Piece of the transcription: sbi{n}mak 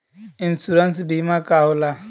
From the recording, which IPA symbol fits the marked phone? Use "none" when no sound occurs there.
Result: none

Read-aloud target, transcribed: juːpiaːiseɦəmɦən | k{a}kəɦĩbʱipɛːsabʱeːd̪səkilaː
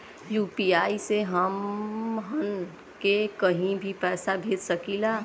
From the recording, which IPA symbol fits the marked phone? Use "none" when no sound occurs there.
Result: e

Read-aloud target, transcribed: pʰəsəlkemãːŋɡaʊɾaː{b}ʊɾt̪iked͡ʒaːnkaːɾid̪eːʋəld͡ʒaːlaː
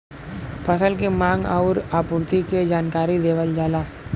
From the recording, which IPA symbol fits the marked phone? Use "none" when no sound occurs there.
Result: p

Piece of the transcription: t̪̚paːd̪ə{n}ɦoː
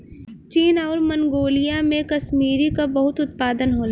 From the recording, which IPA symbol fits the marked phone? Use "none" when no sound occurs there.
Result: n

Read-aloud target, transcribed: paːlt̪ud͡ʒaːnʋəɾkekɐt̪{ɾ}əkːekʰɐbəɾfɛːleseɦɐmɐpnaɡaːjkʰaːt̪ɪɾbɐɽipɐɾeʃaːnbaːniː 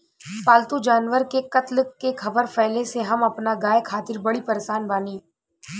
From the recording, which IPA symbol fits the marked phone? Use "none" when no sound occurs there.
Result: l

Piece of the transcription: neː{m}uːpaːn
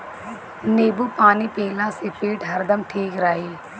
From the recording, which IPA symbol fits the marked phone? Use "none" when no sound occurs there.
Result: b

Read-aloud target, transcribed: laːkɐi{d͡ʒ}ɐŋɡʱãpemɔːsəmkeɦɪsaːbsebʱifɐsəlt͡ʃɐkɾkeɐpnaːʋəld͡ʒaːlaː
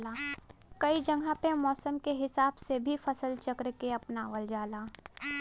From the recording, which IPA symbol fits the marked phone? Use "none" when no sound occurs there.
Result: d͡ʒ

